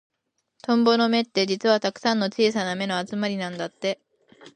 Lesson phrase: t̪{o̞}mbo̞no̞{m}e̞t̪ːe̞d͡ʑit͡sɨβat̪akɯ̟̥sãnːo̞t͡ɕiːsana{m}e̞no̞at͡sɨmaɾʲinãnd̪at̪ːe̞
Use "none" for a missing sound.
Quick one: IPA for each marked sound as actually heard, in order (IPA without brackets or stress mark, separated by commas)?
õ̞, m, m